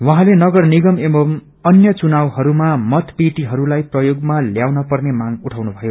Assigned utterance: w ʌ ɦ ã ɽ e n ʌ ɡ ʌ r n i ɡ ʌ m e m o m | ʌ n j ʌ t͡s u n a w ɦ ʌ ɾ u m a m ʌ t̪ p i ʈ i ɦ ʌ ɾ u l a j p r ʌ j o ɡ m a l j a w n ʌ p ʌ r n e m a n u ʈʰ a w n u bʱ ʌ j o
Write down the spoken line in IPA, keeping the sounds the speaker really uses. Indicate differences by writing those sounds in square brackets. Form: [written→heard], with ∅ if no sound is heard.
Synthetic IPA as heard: w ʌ ɦ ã [ɽ→l] e n ʌ ɡ ʌ r n i ɡ ʌ m e m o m | ʌ n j ʌ t͡s u n a w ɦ ʌ ɾ u m a m ʌ t̪ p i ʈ i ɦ ʌ ɾ u l a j p r ʌ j o ɡ m a l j a w n ʌ p ʌ r n e m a [n→ŋ] u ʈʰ a w n u bʱ ʌ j o